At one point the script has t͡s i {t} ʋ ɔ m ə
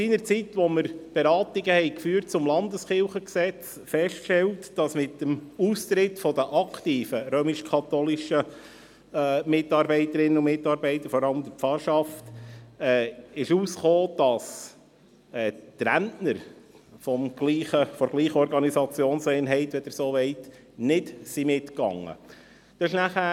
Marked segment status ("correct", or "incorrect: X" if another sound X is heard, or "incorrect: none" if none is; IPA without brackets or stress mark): correct